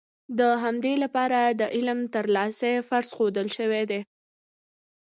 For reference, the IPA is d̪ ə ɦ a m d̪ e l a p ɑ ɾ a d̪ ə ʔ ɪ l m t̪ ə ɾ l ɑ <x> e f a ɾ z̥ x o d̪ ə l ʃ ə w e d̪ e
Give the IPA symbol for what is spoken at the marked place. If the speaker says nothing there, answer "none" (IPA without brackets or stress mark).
s